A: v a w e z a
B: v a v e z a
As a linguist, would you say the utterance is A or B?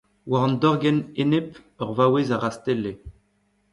A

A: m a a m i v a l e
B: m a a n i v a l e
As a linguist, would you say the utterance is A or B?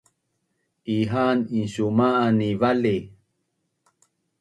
B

